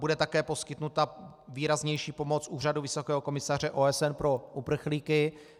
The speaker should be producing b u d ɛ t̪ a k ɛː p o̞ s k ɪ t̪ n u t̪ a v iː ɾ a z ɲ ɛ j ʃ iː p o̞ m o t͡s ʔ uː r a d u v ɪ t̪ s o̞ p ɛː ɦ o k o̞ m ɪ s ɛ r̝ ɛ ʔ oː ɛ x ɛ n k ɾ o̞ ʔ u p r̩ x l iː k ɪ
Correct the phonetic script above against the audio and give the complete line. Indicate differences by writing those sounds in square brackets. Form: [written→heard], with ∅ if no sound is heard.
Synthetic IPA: b u d ɛ t̪ a k ɛː p o̞ s k ɪ t̪ n u t̪ a v iː ɾ a z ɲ ɛ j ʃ iː p o̞ m o t͡s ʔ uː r a d u v ɪ [t̪→∅] s o̞ [p→k] ɛː ɦ o k o̞ m ɪ s [ɛ→a] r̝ ɛ ʔ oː ɛ [x→s] ɛ n [k→p] ɾ o̞ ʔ u p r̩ x l iː k ɪ